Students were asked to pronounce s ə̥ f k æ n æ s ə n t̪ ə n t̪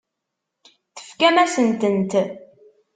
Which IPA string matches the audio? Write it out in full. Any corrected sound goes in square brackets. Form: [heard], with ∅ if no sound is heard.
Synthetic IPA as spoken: [θ] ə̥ f k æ [m] æ s ə n t̪ ə n t̪